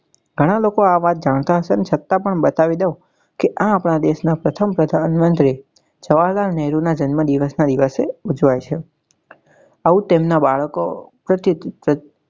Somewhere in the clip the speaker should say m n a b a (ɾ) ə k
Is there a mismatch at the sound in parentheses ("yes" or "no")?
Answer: yes